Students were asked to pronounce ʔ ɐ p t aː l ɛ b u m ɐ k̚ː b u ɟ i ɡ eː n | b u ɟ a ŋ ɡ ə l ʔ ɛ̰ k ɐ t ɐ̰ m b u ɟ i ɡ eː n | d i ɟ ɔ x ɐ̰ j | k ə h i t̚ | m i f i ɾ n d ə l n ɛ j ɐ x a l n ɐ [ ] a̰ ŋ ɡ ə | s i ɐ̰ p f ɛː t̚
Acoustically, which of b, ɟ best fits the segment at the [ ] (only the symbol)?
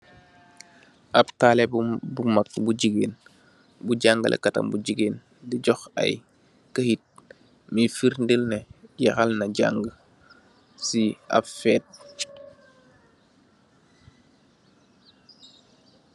ɟ